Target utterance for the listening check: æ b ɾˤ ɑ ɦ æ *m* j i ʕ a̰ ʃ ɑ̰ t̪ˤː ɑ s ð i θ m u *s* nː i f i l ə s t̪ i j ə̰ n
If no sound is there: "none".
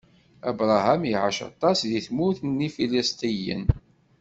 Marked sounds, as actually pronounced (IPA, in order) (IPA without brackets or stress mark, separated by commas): m, θ